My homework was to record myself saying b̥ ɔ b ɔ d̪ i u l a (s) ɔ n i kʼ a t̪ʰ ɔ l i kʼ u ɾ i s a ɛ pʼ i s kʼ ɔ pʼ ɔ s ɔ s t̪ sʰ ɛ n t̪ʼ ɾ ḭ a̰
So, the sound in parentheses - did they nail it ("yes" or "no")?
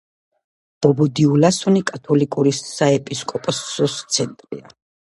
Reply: yes